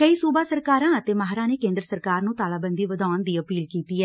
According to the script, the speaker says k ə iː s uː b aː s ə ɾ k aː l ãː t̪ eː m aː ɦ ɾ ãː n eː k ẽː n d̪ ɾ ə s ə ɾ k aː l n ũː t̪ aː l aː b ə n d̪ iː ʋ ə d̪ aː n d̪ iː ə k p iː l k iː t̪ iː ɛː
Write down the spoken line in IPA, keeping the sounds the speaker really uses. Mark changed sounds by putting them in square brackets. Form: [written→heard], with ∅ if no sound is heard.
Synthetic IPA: k ə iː s uː b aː s ə ɾ k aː [l→ɾ] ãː t̪ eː m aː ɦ ɾ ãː n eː k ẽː n d̪ ɾ ə s ə ɾ k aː [l→ɾ] n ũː t̪ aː l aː b ə n d̪ iː ʋ ə d̪ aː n d̪ iː ə [k→∅] p iː l k iː t̪ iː ɛː